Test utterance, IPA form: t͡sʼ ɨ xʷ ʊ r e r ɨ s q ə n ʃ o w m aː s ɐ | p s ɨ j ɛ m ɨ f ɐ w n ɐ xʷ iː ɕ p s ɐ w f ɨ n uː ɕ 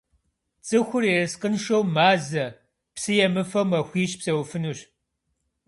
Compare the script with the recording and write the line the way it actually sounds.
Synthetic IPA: t͡sʼ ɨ xʷ ʊ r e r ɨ s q ə n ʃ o w m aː z ɐ | p s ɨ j ɛ m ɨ f ɐ w m ɐ xʷ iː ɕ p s ɐ w f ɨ n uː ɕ